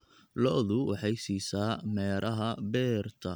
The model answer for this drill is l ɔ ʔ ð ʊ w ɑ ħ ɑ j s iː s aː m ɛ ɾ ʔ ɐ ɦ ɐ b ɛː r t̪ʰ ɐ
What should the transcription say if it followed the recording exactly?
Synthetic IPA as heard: l ɔ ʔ ð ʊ w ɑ ħ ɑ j s iː s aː m ɛː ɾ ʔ ɐ ɦ ɐ b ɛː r t̪ʰ ɐ

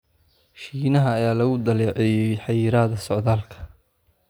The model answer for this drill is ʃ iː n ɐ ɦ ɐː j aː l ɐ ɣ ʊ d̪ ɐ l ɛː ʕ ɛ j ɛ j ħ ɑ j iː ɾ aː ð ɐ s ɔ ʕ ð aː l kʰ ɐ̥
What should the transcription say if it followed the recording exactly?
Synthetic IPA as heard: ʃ iː n ɐ ɦ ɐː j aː l ɐ ɣ ʊ d̪ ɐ l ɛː ʕ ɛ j ɛ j ħ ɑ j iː ɾ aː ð ɐ s ɔ ʕ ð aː l kʰ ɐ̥

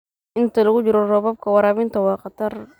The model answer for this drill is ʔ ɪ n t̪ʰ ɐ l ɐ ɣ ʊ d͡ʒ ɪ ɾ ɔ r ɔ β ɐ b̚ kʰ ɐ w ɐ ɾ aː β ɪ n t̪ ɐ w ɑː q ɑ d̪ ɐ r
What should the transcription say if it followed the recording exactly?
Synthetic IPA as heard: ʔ ɪ n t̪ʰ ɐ l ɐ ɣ ʊ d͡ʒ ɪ ɾ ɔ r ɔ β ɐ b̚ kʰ ɐ w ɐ ɾ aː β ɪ n t̪ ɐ w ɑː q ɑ t̪ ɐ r

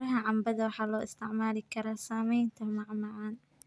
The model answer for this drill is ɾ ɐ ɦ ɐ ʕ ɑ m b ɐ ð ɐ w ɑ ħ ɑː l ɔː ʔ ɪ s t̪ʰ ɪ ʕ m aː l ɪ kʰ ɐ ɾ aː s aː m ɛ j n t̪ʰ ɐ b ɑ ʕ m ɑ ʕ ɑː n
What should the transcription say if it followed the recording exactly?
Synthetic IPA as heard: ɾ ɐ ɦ ɐ ʕ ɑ m b ɐ ð ɐ w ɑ ħ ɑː l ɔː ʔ ɪ s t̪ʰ ɪ ʕ m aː l ɪ kʰ ɐ ɾ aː s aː m ɛ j n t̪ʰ ɐ m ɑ ʕ m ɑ ʕ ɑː n

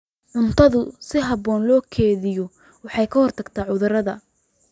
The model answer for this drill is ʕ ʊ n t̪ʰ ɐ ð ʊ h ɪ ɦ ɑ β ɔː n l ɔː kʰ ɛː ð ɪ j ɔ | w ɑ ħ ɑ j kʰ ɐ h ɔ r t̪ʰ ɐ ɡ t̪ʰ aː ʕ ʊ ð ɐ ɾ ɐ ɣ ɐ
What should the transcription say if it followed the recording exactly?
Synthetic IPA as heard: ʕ ʊ n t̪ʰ ɐ ð ʊ s ɪ ɦ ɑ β ɔː n l ɔː kʰ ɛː ð ɪ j ɔ | w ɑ ħ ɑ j kʰ ɐ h ɔ r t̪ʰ ɐ ɡ t̪ʰ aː ʕ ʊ ð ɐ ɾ ɐ ð ɐ

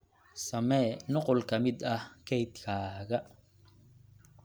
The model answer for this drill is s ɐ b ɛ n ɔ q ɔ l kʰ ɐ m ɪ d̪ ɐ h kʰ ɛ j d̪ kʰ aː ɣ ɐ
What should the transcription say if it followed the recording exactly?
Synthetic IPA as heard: s ɐ m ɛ n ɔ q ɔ l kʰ ɐ m ɪ d̪ ɐ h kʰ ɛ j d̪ kʰ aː ɣ ɐ

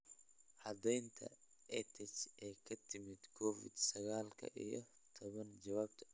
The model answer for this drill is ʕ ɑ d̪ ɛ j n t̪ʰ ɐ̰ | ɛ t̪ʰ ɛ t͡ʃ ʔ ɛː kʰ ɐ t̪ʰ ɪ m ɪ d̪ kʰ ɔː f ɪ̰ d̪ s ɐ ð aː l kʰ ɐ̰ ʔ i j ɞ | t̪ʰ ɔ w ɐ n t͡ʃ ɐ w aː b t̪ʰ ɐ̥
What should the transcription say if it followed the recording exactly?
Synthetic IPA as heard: ʕ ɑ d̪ ɛ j n t̪ʰ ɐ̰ | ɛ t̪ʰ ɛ t͡ʃ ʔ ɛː kʰ ɐ t̪ʰ ɪ m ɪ d̪ kʰ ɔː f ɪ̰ d̪ s ɐ ɣ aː l kʰ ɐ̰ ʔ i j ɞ | t̪ʰ ɔ β ɐ n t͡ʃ ɐ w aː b t̪ʰ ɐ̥

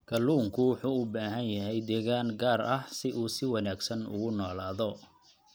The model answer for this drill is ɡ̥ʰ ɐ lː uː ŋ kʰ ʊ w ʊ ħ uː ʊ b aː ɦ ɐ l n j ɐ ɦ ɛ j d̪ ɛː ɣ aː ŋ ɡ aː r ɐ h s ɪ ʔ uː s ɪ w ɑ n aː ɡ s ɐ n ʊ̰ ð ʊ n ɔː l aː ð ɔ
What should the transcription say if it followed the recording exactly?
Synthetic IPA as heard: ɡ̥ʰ ɐ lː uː ŋ kʰ ʊ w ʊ ħ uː ʊ b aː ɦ ɐ n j ɐ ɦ ɛ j d̪ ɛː ɣ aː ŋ ɡ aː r ɐ h s ɪ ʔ uː s ɪ w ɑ n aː ɡ s ɐ n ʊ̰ ɣ ʊ n ɔː l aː ð ɔ

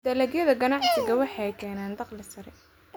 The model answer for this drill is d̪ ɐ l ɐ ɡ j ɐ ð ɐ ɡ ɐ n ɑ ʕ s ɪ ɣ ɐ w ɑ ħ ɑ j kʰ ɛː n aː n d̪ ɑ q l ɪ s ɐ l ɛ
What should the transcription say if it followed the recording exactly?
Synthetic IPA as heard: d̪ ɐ l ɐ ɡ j ɐ ð ɐ ɡ ɐ n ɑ ʕ s ɪ ɣ ɐ w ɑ ħ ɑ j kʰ ɛː n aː n d̪ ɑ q l ɪ s ɐ ɾ ɛ

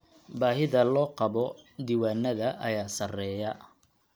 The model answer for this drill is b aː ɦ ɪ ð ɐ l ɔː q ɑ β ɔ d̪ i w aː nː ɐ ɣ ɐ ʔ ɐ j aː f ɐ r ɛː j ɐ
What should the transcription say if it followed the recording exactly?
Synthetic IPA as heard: b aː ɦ ɪ ð ɐ l ɔː q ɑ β ɔ d̪ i w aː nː ɐ ð ɐ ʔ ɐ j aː s ɐ r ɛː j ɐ

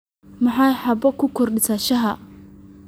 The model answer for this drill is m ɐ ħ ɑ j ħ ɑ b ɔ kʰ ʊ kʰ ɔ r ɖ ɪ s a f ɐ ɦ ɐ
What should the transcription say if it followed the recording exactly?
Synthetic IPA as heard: m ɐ ħ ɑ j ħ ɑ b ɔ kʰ ʊ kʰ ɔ r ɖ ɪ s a ʃ ɐ ɦ ɐ

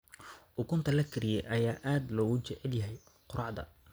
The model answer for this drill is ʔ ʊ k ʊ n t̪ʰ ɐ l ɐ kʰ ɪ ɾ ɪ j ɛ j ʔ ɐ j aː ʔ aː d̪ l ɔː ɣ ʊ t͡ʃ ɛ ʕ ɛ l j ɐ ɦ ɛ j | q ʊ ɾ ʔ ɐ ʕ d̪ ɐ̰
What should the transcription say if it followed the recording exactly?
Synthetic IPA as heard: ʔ ʊ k ʊ n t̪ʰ ɐ l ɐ kʰ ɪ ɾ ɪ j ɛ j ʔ ɐ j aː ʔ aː d̪ l ɔː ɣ ʊ t͡ʃ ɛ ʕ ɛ l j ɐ ɦ ɛ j | q ʊ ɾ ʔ ɑ ʕ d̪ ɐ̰

